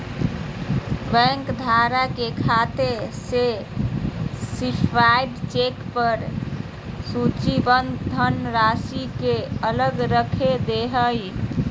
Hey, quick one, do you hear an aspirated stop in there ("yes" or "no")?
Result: yes